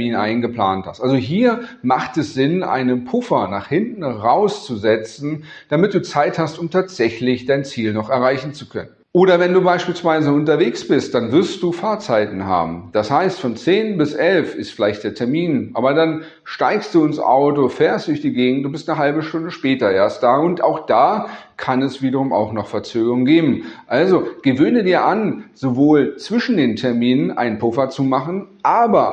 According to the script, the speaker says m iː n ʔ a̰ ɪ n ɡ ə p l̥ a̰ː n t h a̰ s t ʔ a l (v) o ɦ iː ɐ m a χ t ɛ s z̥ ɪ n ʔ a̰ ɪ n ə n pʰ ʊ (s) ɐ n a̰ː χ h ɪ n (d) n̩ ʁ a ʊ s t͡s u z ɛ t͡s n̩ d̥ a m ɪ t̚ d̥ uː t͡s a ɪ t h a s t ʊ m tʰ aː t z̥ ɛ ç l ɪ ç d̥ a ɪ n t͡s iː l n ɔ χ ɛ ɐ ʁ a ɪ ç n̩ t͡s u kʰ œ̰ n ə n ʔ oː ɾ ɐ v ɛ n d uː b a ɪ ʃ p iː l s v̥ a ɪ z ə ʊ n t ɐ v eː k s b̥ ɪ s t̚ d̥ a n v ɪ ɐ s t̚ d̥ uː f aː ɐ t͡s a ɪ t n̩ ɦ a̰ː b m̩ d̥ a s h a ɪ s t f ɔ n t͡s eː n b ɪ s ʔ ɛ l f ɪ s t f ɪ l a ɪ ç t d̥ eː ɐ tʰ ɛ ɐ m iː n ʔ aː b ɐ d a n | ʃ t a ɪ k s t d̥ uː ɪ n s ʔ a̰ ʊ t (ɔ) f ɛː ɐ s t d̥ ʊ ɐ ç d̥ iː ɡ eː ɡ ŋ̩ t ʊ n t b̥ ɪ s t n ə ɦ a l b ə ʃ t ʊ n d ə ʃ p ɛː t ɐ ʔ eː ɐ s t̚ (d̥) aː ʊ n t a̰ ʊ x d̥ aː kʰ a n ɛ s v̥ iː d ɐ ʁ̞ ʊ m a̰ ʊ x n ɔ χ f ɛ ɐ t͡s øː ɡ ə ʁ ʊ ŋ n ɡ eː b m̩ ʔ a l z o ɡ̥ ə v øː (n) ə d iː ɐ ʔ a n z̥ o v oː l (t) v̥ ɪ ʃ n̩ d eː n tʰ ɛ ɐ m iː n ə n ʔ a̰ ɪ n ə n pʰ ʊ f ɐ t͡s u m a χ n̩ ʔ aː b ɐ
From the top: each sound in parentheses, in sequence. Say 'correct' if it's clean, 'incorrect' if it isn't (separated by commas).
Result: incorrect, incorrect, incorrect, incorrect, correct, correct, incorrect